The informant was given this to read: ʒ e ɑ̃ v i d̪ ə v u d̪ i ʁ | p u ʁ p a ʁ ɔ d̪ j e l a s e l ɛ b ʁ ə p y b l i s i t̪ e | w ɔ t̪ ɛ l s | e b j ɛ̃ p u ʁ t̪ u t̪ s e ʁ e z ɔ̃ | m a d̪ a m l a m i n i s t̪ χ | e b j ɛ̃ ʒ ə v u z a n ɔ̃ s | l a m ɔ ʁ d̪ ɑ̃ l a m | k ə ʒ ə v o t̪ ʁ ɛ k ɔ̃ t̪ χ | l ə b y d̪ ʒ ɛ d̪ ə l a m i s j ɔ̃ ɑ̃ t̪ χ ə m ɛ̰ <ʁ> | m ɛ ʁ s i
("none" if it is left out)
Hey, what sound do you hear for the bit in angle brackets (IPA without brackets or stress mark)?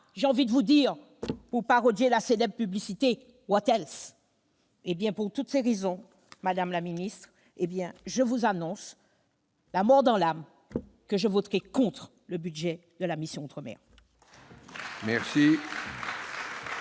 ʁ